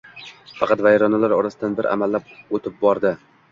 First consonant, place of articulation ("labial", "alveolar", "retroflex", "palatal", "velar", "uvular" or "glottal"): labial